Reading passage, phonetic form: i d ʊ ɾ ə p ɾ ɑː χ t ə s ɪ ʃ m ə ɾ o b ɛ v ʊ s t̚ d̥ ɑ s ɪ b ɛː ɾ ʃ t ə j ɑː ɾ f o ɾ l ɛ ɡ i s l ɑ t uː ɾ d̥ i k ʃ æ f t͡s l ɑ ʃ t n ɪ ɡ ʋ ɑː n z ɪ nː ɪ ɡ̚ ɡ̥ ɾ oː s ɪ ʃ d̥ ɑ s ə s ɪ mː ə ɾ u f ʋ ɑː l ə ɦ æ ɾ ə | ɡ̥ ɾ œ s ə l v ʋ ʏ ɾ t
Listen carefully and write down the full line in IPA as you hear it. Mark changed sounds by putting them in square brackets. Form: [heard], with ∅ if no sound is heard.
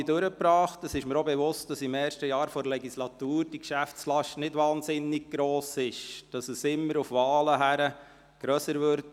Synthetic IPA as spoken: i d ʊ ɾ ə p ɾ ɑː χ t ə s ɪ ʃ m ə ɾ o b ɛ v ʊ s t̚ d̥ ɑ s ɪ [m] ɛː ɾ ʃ t ə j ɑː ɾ f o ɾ l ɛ ɡ i s l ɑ t uː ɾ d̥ i k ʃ æ f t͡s l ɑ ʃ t n ɪ [d] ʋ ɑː n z ɪ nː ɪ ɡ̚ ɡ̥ ɾ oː s ɪ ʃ d̥ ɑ s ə s ɪ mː ə ɾ u f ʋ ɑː l ə ɦ æ ɾ ə | ɡ̥ ɾ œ s ə [ɾ] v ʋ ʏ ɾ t